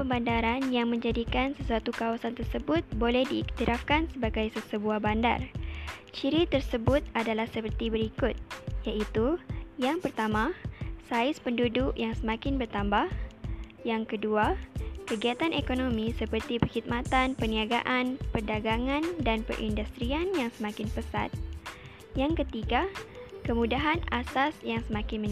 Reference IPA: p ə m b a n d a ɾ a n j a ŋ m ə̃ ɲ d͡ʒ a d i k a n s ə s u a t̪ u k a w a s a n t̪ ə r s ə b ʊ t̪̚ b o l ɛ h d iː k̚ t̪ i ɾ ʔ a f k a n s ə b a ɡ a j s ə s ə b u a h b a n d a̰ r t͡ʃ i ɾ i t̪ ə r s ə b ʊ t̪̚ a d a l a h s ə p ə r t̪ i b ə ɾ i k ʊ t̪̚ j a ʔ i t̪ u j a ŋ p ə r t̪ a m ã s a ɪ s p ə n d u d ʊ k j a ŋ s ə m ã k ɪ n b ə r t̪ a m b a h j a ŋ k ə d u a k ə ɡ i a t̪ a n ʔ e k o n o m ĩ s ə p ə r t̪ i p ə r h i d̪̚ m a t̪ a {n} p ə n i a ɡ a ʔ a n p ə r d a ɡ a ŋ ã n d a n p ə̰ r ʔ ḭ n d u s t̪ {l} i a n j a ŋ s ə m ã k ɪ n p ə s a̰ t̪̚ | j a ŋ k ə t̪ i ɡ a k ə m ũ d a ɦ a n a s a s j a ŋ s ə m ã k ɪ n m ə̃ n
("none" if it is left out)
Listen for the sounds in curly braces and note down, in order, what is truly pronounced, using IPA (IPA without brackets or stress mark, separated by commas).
n, ɾ